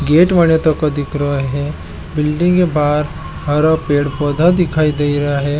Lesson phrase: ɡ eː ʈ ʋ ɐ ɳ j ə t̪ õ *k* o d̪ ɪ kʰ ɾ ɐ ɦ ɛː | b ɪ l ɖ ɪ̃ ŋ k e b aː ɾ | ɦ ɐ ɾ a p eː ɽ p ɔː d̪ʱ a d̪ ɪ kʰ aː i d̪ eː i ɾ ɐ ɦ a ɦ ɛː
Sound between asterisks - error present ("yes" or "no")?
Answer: no